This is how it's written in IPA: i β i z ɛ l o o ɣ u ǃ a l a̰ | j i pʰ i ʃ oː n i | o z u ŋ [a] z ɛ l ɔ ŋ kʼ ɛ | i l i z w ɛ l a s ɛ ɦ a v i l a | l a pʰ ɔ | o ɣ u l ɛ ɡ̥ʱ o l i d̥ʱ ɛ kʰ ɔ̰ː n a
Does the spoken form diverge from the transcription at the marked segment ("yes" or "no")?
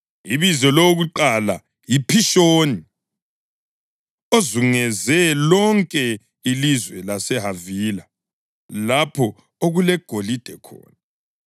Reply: yes